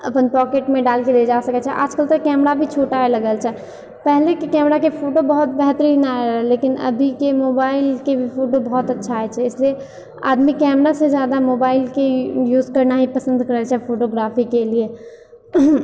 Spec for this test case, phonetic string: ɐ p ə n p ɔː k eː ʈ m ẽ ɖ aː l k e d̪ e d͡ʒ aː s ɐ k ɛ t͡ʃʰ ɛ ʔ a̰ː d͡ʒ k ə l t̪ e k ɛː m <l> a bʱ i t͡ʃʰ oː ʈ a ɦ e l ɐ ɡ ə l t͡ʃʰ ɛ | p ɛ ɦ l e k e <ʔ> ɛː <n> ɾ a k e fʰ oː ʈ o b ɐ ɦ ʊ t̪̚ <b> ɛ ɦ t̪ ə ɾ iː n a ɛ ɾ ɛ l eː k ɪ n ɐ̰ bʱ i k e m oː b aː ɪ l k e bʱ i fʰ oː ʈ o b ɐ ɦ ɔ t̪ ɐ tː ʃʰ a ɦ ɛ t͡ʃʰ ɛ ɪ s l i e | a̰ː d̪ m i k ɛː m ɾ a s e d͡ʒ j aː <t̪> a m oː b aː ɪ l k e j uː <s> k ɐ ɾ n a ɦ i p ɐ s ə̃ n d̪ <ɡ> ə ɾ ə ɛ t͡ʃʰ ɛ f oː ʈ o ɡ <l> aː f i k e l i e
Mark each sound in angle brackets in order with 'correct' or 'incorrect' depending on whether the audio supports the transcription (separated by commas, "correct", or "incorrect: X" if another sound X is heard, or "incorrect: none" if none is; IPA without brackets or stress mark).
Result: incorrect: ɾ, incorrect: k, incorrect: m, correct, incorrect: d̪, incorrect: z, incorrect: k, incorrect: ɾ